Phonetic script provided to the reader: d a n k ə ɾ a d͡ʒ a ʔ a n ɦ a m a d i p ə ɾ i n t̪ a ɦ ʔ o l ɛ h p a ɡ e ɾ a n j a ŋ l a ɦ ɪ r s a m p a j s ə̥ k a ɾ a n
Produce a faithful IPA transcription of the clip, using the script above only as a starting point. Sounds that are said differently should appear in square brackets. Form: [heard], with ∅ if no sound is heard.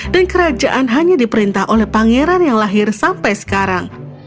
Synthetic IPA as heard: d a n k ə ɾ a d͡ʒ a ʔ a n ɦ a [ɲ] a d i p ə ɾ i n t̪ a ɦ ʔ o l ɛ h p a [ŋ] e ɾ a n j a ŋ l a ɦ ɪ r s a m p a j s ə̥ k a ɾ a [ŋ]